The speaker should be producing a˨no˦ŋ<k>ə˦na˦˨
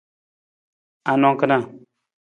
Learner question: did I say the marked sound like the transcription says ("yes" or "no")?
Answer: yes